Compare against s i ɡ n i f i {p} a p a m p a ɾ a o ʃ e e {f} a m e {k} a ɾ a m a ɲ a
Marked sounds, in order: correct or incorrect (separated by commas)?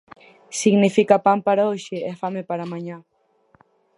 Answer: incorrect, correct, incorrect